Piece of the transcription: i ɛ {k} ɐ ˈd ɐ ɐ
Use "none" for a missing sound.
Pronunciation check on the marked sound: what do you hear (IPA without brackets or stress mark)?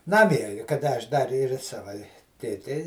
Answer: k